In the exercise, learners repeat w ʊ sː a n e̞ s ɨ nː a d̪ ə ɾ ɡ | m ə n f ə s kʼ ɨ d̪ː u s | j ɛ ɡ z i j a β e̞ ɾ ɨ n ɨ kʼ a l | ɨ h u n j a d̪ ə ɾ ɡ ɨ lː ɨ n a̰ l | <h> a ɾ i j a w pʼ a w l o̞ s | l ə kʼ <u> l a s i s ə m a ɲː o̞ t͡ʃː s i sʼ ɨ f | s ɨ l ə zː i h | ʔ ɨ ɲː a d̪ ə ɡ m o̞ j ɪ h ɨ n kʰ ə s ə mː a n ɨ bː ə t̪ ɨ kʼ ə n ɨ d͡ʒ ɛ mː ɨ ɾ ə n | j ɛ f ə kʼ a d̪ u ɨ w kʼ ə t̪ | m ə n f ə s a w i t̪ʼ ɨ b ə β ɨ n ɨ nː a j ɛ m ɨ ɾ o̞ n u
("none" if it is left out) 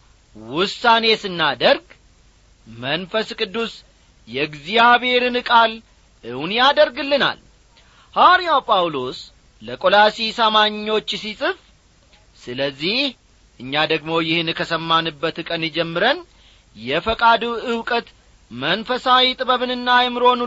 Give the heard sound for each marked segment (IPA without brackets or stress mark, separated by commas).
h, o